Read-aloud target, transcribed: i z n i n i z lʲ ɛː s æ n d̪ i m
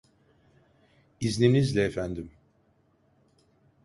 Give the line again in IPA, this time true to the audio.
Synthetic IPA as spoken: i z n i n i z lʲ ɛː f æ n d̪ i m